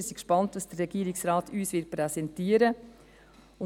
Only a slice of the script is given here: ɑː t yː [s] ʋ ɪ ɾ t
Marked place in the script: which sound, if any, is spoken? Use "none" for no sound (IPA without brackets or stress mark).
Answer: s